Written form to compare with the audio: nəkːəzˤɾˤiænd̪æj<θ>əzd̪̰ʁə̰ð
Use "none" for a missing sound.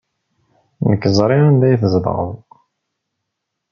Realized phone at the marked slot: θ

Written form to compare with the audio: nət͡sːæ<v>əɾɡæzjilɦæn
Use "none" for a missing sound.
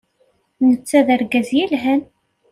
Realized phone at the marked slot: ð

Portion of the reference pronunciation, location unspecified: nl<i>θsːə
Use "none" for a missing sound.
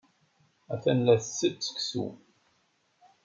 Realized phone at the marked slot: æ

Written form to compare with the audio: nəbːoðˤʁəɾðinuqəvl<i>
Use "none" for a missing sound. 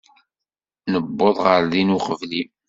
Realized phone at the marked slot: i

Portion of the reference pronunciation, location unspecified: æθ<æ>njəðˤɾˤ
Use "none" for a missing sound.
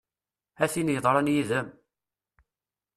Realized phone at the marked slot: i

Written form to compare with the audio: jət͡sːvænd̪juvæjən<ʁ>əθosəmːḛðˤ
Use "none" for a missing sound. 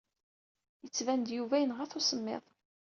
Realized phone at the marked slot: ʁ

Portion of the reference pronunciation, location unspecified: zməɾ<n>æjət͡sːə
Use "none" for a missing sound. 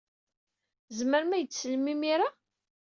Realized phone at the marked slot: m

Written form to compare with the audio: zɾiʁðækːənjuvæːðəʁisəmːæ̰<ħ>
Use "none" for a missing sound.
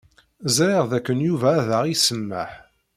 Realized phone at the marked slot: ħ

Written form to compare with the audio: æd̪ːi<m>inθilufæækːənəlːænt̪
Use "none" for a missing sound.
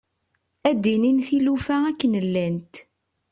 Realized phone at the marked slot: n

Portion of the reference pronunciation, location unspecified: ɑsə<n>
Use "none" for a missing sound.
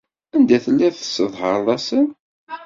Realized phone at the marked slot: n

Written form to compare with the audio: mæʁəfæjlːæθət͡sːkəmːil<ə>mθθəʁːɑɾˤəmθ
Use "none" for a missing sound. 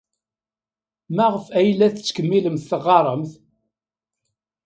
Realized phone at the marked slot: ə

